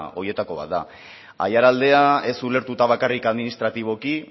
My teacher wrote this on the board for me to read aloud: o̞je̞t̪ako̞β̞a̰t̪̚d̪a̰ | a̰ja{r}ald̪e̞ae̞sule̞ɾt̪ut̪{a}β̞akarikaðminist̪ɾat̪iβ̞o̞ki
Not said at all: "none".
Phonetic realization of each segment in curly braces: ɾ, a

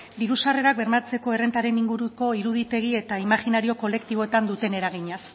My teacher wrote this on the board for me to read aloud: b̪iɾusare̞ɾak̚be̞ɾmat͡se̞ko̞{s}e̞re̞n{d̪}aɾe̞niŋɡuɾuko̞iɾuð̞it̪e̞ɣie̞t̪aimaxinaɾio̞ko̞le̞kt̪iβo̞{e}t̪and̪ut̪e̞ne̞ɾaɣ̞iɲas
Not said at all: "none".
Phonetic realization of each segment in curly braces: none, t̪, e

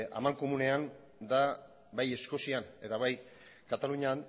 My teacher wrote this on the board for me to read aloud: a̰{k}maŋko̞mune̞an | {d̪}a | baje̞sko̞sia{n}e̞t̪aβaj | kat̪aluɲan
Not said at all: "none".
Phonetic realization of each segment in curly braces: none, d̪, n

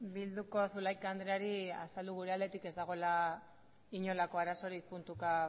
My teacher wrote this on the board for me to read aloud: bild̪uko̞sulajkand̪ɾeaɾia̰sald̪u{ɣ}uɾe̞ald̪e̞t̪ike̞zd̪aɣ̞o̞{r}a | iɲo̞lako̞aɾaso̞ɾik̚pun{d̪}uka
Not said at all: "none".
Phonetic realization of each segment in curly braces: ɣ, l, t̪

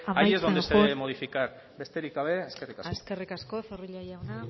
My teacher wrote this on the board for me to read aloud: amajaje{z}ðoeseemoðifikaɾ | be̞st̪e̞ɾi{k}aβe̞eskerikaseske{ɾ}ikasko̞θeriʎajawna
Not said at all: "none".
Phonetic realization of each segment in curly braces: z, k, r

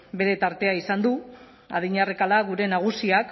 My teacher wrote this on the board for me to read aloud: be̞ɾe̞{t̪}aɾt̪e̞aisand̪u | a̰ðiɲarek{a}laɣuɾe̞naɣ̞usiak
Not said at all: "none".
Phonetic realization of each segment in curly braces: t̪, a

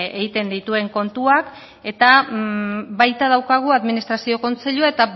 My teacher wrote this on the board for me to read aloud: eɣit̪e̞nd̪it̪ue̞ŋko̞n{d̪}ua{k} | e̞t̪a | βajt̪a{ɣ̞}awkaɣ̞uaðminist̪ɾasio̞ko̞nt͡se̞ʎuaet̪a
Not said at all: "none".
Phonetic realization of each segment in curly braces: t̪, k, ð̞

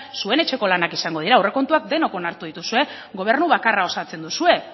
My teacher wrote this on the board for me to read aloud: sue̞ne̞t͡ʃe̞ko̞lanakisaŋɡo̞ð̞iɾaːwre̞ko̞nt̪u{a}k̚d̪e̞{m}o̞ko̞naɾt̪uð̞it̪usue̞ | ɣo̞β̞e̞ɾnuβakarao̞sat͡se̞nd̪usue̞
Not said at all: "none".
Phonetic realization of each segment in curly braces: a, n

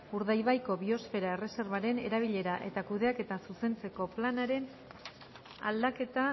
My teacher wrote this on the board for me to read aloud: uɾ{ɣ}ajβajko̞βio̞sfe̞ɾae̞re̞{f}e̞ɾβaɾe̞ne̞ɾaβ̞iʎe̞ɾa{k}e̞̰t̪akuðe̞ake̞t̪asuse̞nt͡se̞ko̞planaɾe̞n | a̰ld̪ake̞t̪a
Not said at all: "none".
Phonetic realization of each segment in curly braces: ð, s, ʔ

